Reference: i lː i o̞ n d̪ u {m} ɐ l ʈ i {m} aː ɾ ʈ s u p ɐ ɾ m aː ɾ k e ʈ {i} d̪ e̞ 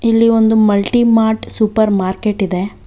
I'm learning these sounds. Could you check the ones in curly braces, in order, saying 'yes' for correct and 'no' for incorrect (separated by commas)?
yes, yes, yes